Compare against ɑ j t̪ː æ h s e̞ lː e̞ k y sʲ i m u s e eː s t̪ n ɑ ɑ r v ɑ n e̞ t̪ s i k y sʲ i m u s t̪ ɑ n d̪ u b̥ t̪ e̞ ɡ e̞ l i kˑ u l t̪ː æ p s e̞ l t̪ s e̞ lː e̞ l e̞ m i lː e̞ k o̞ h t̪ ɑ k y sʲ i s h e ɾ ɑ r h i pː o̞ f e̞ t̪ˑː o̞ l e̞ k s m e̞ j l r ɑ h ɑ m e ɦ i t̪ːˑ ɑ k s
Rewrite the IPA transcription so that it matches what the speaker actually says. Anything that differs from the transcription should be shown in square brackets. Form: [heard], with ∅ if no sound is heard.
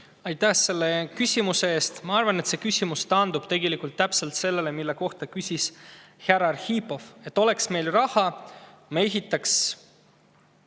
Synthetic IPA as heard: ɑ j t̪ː æ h s e̞ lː e̞ k y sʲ i m u s e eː s t̪ [m] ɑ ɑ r v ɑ n e̞ t̪ s [e] k y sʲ i m u s t̪ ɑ n d̪ u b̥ t̪ e̞ ɡ e̞ l i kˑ u l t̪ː æ p s e̞ l t̪ s e̞ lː e̞ l e̞ m i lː e̞ k o̞ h t̪ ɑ k y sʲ i s h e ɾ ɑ r h i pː o̞ f e̞ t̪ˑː o̞ l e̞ k s m e̞ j l r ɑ h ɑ m e ɦ i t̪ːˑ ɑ k s